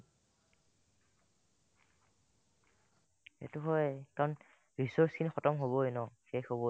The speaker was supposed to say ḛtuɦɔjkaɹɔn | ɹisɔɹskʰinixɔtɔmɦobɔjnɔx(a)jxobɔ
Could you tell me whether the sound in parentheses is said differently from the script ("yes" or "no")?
yes